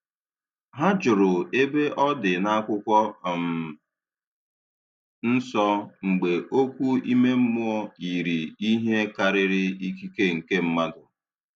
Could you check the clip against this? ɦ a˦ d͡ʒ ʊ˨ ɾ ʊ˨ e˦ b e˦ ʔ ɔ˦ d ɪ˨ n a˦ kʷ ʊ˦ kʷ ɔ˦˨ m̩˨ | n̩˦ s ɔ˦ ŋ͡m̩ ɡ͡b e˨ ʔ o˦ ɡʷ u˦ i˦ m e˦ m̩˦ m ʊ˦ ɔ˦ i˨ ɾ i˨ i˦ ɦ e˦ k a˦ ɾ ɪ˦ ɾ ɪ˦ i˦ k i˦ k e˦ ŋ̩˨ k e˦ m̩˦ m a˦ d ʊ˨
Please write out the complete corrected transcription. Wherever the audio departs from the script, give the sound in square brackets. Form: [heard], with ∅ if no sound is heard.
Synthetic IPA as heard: ɦ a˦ d͡ʒ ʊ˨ ɾ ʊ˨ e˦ b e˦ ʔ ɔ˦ d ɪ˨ n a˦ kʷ ʊ˦ kʷ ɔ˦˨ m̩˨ | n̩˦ s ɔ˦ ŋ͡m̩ ɡ͡b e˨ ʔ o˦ [kʷ] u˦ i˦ m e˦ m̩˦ m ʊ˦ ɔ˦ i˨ ɾ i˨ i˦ ɦ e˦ k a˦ ɾ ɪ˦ ɾ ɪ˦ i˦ k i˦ k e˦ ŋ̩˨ k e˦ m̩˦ m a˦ d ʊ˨